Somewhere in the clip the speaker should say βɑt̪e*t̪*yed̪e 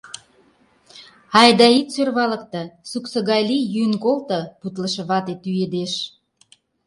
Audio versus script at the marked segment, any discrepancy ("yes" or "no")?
no